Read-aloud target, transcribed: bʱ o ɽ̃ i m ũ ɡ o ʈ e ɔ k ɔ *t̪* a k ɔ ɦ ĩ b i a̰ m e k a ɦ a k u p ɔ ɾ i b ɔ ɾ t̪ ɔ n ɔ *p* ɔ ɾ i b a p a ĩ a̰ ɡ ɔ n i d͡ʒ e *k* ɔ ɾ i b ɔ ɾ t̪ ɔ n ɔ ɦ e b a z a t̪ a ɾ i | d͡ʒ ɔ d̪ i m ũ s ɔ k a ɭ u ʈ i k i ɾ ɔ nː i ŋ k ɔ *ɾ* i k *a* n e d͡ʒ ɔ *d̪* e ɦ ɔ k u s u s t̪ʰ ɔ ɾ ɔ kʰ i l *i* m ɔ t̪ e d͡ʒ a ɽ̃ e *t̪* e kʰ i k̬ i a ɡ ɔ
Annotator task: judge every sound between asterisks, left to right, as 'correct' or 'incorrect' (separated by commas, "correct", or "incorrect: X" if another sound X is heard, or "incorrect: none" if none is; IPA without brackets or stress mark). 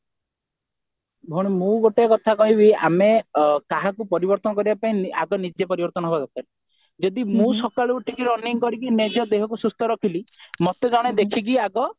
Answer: incorrect: t̪ʰ, incorrect: k, incorrect: p, correct, incorrect: i, correct, correct, incorrect: d̪